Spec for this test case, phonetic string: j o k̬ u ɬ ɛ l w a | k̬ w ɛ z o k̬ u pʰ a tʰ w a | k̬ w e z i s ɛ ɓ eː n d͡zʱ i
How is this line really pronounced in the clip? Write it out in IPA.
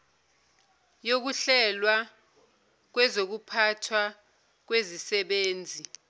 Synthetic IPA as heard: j o k̬ u ɬ ɛ l w a | k̬ w ɛ z o k̬ u pʰ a tʰ w a | k̬ w e z i s ɛ ɓ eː n d͡zʱ i